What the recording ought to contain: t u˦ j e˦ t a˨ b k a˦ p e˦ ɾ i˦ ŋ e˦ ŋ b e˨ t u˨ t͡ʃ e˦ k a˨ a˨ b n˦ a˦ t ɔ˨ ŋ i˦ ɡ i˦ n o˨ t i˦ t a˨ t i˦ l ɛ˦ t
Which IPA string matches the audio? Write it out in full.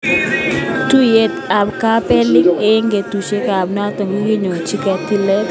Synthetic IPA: t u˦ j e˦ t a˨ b k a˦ p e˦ l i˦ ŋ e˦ ŋ ɡ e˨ t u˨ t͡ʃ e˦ k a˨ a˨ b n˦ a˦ t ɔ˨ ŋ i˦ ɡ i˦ ɲ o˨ t͡ʃ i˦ k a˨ t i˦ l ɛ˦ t